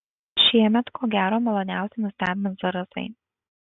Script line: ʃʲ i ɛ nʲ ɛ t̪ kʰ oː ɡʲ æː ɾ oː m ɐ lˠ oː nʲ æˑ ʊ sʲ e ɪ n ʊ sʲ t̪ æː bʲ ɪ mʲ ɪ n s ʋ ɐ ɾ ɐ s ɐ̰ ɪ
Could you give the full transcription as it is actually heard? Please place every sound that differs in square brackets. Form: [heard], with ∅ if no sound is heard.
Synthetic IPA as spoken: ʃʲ i ɛ [mʲ] ɛ t̪ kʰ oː ɡʲ æː ɾ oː m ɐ lˠ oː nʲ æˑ ʊ sʲ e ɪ n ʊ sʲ t̪ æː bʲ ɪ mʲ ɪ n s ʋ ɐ ɾ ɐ s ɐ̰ ɪ